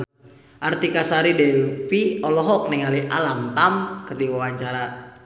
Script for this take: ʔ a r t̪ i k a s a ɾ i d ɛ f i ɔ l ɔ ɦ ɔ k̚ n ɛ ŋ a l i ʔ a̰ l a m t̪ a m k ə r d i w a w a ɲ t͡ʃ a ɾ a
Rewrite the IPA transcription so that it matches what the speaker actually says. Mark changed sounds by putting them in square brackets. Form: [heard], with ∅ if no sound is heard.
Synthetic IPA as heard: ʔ a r t̪ i k a s a ɾ i d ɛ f i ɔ l ɔ ɦ ɔ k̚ n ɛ ŋ a l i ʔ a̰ l a m t̪ a m k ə r d i w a w a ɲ t͡ʃ a ɾ a